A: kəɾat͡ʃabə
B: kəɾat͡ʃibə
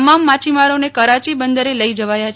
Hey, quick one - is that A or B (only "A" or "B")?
B